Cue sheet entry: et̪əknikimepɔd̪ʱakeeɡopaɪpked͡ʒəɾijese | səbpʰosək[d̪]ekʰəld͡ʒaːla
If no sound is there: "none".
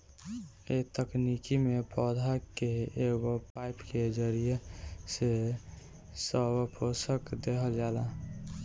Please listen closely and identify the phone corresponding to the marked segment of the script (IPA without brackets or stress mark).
d̪